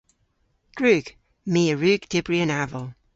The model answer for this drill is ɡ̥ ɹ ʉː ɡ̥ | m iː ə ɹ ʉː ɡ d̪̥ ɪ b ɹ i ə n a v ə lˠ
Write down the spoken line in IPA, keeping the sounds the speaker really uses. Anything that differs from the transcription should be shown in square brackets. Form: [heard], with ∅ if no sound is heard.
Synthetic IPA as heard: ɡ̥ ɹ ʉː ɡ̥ | m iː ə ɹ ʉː ɡ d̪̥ ɪ b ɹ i ə n a v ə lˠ